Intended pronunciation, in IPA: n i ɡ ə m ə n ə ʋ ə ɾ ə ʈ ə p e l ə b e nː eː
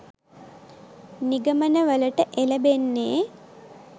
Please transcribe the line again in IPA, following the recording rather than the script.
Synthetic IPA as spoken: n i ɡ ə m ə n ə ʋ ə l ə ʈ ə ʔ e l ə b e nː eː